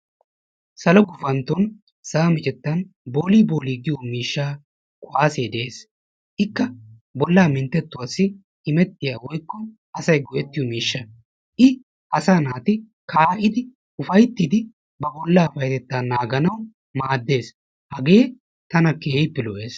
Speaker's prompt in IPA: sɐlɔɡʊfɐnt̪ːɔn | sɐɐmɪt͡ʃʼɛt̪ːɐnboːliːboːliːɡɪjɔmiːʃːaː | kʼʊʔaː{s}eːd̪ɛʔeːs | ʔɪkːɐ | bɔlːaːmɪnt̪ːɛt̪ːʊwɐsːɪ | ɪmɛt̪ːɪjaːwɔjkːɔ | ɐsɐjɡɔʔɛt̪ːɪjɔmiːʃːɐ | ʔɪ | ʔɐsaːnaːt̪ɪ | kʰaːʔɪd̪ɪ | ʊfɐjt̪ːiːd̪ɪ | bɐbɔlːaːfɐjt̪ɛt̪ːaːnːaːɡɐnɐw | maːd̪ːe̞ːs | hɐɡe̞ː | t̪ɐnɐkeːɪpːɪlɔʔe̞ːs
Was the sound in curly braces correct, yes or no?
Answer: yes